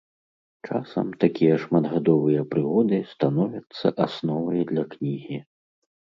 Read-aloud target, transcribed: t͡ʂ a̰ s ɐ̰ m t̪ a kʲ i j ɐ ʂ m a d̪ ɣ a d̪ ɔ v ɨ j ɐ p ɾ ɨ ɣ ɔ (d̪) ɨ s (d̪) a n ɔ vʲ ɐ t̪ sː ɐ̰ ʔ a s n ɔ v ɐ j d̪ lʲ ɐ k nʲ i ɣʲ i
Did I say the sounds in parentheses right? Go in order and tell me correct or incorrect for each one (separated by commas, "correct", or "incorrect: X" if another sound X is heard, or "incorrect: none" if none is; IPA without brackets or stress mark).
correct, incorrect: t̪